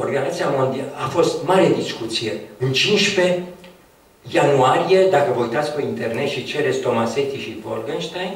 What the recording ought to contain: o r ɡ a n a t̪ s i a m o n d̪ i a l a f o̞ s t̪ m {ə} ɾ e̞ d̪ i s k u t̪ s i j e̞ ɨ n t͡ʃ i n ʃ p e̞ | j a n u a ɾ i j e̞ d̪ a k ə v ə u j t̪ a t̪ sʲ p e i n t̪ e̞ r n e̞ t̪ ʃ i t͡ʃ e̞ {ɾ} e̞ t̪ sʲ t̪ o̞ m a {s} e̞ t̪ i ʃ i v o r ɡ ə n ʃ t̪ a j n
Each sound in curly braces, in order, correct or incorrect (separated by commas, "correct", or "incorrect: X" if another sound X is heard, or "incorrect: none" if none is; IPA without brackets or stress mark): incorrect: a, correct, correct